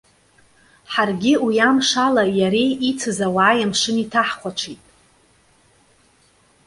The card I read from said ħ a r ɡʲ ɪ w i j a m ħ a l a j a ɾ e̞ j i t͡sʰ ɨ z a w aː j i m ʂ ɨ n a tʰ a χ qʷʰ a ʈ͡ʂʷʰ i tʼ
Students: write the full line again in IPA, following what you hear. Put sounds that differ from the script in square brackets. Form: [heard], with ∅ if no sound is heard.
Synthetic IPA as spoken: ħ a r ɡʲ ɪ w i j a m [ʂ] a l a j a ɾ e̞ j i t͡sʰ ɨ z a w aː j [a] m ʂ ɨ n [i] tʰ a [ħ] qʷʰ a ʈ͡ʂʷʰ i tʼ